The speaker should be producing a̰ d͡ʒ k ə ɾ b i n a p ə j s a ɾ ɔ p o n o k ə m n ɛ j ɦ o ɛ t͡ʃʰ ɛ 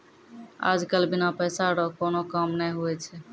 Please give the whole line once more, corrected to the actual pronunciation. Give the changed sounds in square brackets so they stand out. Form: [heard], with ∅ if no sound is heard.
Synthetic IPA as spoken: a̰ d͡ʒ k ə [l] b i n a p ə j s a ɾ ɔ [k] o n o k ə m n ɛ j ɦ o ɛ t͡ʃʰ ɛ